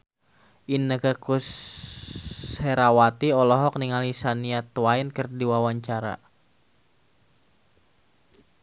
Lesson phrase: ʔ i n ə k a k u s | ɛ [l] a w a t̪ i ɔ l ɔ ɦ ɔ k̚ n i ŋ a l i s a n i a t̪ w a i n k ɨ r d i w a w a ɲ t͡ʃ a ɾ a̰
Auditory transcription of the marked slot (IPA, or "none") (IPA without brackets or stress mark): ɾ